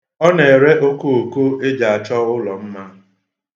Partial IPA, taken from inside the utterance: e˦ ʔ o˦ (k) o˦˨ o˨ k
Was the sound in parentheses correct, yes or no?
yes